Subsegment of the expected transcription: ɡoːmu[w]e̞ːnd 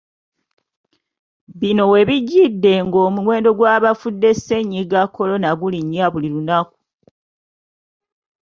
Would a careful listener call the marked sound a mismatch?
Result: no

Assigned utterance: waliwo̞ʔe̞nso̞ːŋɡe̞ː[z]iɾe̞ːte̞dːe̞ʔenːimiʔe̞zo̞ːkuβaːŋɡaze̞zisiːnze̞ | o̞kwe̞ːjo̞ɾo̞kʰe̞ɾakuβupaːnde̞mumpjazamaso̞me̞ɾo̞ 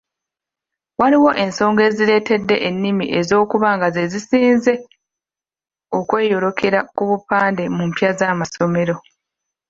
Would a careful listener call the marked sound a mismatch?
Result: no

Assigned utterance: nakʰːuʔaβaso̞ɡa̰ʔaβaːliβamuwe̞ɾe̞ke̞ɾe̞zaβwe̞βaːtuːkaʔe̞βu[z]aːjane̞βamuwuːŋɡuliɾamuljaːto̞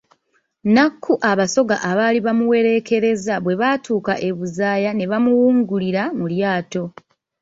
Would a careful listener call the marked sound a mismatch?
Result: no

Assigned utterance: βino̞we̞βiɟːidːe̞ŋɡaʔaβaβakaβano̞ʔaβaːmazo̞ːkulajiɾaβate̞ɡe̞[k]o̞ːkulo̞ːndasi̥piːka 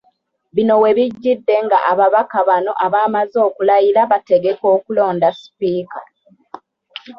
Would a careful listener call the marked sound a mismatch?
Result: no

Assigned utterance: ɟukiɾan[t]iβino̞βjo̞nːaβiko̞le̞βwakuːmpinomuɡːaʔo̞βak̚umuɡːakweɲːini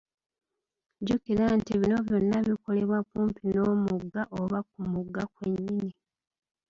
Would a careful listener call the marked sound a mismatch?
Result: no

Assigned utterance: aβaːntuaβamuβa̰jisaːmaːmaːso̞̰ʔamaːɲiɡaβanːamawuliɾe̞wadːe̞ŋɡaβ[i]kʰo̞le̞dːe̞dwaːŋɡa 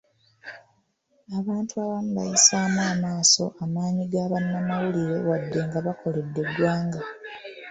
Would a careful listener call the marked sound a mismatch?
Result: yes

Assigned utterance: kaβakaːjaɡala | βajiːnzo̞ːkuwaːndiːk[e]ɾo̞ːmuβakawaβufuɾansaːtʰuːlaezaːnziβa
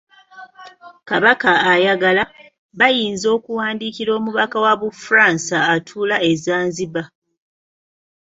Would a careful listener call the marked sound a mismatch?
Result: yes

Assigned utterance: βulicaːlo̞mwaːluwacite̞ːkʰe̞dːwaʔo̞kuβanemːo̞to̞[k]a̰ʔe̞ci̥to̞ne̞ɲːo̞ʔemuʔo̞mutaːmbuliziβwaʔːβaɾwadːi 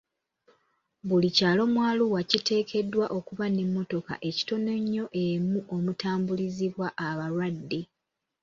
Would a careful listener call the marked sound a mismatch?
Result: no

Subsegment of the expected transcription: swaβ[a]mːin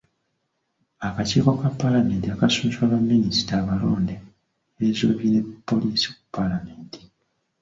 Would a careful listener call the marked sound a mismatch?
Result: no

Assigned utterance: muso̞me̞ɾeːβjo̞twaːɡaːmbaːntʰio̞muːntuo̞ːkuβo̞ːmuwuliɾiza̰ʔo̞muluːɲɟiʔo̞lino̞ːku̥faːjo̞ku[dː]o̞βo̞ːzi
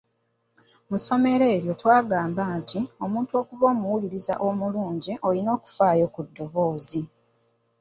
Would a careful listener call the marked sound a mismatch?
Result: no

